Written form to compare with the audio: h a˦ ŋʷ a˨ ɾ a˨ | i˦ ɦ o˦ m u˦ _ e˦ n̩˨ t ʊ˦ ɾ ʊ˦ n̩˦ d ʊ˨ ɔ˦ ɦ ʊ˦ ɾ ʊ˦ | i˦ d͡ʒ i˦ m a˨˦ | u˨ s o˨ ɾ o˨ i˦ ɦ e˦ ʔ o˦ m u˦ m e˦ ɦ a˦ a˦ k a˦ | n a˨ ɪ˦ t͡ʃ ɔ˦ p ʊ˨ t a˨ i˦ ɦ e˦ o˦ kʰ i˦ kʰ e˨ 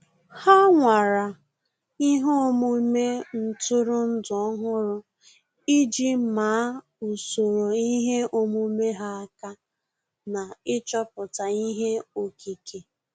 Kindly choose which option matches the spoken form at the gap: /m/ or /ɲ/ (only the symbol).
m